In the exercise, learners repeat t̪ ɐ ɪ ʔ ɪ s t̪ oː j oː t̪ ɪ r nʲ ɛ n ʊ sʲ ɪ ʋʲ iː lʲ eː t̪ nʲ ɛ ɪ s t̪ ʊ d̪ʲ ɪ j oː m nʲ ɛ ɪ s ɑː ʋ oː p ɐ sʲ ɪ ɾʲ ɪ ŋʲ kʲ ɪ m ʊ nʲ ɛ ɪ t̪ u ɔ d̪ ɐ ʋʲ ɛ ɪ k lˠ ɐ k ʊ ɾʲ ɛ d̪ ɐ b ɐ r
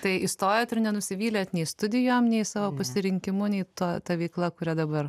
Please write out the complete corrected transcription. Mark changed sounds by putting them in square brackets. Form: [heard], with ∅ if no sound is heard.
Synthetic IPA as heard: t̪ ɐ ɪ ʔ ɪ s t̪ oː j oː t̪ ɪ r nʲ ɛ n ʊ sʲ ɪ ʋʲ iː lʲ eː t̪ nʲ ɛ ɪ s t̪ ʊ d̪ʲ ɪ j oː m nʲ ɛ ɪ s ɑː ʋ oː p ɐ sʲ ɪ ɾʲ ɪ ŋʲ kʲ ɪ m ʊ nʲ ɛ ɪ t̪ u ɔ [t̪] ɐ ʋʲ ɛ ɪ k lˠ ɐ k ʊ ɾʲ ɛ d̪ ɐ b ɐ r